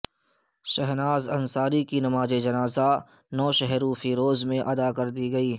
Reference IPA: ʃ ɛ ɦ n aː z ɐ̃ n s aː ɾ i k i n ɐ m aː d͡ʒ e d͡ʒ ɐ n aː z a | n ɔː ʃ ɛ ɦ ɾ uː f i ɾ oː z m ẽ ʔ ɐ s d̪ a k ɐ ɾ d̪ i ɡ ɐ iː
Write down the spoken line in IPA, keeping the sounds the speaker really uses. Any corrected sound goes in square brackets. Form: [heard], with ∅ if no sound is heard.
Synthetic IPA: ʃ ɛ ɦ n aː z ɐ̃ n s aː ɾ i k i n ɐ m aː d͡ʒ e d͡ʒ ɐ n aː z a | n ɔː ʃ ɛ ɦ ɾ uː f i ɾ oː z m ẽ ʔ ɐ [∅] d̪ a k ɐ ɾ d̪ i ɡ ɐ iː